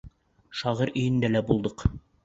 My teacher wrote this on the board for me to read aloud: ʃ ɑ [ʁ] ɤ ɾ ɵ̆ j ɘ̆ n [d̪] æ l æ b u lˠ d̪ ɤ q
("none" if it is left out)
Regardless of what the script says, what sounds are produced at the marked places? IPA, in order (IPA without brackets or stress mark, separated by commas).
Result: ʁ, d̪